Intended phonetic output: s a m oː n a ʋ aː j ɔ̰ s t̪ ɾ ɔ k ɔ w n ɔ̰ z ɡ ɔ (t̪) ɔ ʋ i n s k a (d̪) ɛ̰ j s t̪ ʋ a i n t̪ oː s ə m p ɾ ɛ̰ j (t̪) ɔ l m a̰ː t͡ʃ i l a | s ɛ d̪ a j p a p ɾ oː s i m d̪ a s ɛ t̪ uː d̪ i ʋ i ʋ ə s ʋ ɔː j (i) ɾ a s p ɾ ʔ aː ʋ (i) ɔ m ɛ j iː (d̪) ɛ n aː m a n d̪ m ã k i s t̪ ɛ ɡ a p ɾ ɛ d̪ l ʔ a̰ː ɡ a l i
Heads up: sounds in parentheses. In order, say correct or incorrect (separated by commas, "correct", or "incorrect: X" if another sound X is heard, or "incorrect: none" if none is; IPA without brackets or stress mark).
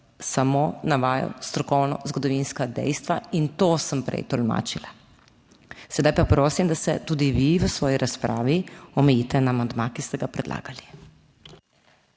incorrect: d̪, correct, correct, correct, correct, incorrect: t̪